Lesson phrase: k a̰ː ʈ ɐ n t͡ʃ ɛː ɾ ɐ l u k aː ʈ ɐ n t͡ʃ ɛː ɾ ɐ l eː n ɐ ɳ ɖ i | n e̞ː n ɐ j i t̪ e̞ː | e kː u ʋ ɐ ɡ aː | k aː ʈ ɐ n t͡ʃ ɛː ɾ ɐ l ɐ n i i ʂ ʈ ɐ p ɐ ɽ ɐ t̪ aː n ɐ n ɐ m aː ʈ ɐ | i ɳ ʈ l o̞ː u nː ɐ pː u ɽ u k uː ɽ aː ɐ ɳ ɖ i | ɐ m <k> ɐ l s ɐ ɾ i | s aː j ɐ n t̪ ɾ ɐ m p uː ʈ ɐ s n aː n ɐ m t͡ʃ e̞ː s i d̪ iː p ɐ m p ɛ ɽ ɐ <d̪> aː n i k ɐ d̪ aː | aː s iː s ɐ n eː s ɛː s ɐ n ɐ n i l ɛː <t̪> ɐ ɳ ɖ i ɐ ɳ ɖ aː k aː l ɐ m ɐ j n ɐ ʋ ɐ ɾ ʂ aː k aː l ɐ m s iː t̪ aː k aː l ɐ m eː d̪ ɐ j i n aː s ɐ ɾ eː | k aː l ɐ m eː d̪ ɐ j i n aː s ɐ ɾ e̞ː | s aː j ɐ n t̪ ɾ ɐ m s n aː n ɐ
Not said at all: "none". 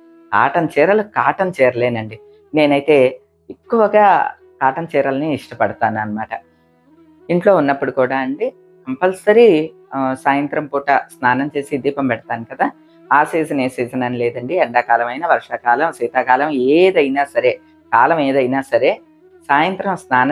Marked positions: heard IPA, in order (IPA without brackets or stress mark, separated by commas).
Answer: p, t̪, d̪